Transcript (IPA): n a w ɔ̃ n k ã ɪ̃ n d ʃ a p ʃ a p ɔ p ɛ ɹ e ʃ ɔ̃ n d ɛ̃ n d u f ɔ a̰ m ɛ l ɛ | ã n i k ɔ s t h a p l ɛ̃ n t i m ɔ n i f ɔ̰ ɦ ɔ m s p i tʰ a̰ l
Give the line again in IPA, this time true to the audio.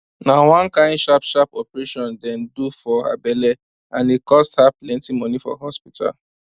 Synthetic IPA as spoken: n a w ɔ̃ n k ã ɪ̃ n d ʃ a p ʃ a p ɔ p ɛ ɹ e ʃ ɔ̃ n d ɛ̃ n d u f ɔ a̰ b ɛ l ɛ | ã n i k ɔ s t h a p l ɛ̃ n t i m ɔ n i f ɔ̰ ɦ ɔ s p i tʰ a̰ l